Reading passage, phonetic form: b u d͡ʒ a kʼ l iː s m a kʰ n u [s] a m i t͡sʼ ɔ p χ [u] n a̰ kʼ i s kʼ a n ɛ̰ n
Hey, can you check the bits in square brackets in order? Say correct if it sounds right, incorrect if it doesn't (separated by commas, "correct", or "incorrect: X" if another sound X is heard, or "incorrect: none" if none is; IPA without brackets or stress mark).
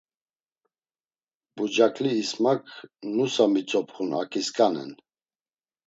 correct, correct